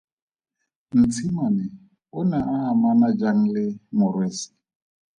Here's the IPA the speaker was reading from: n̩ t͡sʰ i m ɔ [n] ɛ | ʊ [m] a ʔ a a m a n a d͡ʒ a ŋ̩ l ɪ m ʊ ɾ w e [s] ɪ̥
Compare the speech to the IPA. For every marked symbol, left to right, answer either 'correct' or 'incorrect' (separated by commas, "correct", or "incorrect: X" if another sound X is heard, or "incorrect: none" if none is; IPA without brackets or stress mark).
correct, incorrect: n, correct